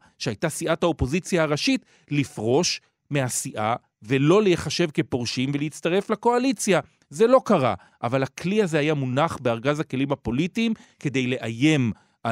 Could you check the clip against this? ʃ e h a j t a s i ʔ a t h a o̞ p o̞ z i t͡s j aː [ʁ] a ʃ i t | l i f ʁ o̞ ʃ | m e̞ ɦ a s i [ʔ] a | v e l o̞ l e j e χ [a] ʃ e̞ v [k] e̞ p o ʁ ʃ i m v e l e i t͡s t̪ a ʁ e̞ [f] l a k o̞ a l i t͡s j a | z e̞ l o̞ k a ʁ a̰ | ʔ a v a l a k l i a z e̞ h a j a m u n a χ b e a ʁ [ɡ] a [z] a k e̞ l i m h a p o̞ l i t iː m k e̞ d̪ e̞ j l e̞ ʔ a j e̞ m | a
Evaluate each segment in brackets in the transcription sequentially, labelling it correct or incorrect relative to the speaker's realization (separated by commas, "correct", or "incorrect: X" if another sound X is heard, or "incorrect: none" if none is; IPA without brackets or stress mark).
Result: correct, correct, correct, correct, correct, correct, correct